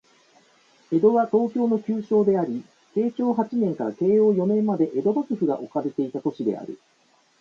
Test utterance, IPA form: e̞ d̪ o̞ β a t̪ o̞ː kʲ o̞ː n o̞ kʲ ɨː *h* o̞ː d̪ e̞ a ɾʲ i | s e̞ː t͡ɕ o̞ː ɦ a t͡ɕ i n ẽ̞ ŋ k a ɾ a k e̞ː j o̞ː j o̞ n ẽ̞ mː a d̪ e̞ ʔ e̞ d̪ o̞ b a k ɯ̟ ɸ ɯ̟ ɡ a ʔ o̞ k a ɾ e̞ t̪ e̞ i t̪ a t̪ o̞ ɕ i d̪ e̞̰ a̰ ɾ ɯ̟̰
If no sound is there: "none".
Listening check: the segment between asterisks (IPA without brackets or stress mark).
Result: ɕ